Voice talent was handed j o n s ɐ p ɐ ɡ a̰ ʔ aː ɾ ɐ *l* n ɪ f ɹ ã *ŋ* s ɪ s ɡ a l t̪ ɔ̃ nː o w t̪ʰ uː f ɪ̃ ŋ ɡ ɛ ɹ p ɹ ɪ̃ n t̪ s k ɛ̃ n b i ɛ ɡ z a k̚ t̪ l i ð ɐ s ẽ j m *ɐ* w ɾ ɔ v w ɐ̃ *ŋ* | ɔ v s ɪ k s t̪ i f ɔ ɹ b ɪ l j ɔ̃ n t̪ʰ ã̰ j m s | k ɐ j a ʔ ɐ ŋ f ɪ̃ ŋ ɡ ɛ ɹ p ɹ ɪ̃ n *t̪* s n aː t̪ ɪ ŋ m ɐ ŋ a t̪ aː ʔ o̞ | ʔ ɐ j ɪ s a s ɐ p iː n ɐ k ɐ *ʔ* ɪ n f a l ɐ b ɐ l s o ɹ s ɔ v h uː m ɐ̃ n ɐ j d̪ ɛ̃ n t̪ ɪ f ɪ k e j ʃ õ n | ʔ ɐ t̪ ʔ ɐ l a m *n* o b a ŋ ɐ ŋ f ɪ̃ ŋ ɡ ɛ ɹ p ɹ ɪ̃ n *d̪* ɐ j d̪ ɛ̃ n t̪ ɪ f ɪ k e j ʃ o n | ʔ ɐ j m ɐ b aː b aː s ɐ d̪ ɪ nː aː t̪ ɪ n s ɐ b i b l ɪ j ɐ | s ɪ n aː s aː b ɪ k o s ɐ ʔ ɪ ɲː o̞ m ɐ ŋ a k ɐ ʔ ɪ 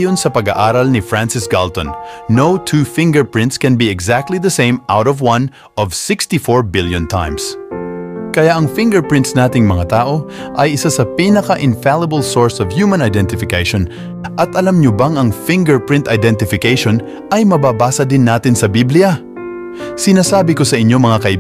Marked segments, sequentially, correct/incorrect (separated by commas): correct, incorrect, incorrect, incorrect, correct, correct, incorrect, incorrect